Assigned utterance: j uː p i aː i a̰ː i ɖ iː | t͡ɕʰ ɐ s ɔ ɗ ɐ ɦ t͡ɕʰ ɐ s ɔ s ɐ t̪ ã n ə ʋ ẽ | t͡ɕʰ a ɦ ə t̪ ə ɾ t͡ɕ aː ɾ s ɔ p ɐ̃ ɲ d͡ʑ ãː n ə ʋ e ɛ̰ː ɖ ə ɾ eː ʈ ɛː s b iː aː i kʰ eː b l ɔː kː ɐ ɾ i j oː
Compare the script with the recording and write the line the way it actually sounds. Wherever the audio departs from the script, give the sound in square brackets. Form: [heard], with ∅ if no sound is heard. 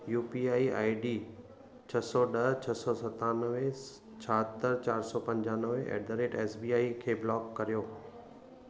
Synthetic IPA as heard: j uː p i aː i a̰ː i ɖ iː | t͡ɕʰ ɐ s ɔ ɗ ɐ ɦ t͡ɕʰ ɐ s ɔ s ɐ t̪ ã n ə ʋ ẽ | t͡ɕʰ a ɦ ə t̪ ə ɾ t͡ɕ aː ɾ s ɔ p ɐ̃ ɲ d͡ʑ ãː n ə ʋ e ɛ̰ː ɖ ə ɾ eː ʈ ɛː s b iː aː i kʰ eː b l ɔː kː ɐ ɾ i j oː